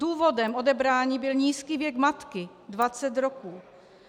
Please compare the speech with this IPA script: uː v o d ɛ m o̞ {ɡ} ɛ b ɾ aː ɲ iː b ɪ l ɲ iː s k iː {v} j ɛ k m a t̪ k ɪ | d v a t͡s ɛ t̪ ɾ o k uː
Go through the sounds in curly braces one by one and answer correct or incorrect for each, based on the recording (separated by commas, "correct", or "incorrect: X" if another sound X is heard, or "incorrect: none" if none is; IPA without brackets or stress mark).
incorrect: d, correct